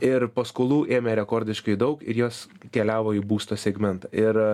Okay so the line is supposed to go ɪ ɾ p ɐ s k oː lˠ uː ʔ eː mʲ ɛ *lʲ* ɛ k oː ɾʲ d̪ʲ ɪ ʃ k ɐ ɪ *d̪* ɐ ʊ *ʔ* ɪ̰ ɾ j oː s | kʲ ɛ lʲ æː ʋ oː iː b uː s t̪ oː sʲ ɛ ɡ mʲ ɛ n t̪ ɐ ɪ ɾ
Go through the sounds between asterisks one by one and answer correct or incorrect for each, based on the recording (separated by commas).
incorrect, correct, incorrect